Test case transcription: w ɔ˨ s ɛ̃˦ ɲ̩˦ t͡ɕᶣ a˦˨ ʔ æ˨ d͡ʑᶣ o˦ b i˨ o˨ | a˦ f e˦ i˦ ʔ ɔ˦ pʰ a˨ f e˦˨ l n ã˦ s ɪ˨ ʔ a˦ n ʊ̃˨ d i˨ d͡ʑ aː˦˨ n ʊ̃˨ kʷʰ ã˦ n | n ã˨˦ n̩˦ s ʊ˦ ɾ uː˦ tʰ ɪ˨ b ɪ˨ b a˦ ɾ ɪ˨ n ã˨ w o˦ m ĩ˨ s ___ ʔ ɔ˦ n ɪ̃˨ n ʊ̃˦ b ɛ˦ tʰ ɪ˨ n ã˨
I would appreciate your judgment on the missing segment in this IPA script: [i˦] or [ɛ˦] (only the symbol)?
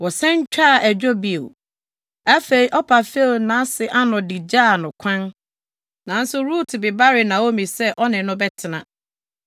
ɛ˦